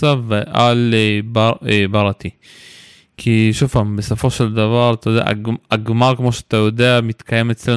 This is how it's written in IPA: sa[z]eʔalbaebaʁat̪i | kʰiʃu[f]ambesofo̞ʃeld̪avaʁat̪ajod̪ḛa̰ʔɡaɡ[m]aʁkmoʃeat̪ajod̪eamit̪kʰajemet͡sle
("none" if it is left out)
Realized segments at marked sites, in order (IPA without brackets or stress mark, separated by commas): v, f, m